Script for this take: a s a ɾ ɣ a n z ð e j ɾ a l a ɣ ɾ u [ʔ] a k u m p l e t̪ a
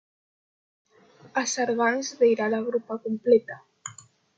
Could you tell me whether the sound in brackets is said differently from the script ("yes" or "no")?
yes